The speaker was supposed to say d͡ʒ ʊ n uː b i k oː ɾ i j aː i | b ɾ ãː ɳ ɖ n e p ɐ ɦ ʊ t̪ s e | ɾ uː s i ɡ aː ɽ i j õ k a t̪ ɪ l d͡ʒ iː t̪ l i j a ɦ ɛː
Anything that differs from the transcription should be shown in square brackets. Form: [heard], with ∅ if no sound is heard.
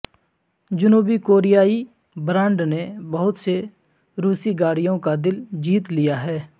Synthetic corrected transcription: d͡ʒ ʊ n uː b i k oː ɾ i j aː i | b ɾ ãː ɳ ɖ n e [b] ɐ ɦ ʊ t̪ s e | ɾ uː s i ɡ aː ɽ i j õ k a [d̪] ɪ l d͡ʒ iː t̪ l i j a ɦ ɛː